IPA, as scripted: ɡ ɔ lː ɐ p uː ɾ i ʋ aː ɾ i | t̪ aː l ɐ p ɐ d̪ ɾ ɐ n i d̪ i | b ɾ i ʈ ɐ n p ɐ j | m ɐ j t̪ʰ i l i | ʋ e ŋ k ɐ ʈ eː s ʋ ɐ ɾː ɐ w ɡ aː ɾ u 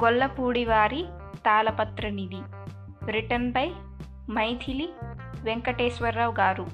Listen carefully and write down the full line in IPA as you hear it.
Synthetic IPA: ɡ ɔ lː ɐ p uː ɽ i ʋ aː ɾ i | t̪ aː l ɐ p ɐ t̪ ɾ ɐ n i d̪ i | b ɾ i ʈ ɐ n p ɐ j | m ɐ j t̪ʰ i l i | ʋ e ŋ k ɐ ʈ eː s ʋ ɐ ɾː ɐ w ɡ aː ɾ u